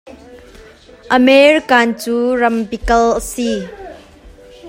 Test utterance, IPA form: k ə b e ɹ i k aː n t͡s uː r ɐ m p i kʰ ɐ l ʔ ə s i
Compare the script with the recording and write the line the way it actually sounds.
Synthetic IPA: ʔ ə m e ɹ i k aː n t͡s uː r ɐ m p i k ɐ l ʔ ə s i

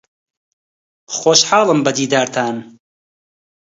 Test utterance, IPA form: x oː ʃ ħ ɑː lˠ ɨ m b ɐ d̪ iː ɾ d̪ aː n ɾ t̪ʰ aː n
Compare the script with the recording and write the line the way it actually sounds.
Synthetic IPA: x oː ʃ ħ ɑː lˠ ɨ m b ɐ d̪ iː d̪ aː ɾ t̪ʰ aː n

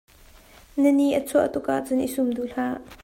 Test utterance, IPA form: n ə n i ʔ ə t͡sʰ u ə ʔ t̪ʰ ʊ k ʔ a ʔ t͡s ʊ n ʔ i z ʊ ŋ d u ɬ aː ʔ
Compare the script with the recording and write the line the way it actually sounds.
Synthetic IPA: n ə n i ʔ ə t͡sʰ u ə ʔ t̪ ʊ k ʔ a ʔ t͡s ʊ n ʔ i s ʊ m d u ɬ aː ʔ

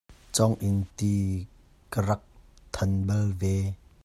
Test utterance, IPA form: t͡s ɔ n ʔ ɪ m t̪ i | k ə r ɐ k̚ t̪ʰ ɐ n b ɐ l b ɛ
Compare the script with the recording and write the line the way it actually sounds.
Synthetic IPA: t͡s ɔ ŋ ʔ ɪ n t̪ i | k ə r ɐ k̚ t̪ʰ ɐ n b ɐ l v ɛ

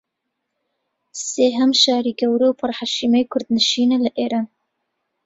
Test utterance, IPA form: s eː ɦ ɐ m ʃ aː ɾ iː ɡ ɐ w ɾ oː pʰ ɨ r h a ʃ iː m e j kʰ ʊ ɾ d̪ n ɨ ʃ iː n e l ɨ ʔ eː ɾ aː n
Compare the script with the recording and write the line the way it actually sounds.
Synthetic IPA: s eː ɦ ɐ m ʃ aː ɾ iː ɡ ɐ w ɾ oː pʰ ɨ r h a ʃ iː m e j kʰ ʊ ɾ d̪ n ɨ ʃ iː n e l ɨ ʔ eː ɾ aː n

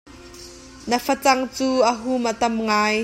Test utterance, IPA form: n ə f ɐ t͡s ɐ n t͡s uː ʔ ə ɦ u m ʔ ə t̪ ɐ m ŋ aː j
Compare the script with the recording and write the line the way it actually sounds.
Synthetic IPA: n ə f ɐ t͡s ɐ ŋ t͡s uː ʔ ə ɦ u m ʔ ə t̪ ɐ m ŋ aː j

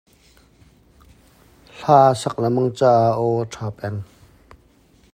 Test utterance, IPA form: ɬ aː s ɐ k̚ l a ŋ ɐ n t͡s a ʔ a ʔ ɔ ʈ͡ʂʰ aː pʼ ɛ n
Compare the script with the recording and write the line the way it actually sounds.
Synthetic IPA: ɬ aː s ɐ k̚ l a m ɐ ŋ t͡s a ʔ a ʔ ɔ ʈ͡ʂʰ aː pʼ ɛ n

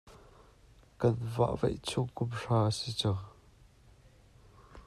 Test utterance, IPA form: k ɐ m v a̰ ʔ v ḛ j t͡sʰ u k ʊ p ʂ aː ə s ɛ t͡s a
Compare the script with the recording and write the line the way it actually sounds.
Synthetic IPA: k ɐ n v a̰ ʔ v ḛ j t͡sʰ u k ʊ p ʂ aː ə s i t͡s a

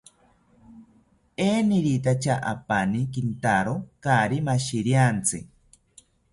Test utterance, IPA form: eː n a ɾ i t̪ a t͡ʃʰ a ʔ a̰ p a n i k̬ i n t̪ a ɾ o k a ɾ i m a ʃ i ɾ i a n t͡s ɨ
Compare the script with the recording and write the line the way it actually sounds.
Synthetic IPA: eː n i ɾ i t̪ a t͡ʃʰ a ʔ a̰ p a n i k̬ i n t̪ a ɾ o k a ɾ i m a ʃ i ɾ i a n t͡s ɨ

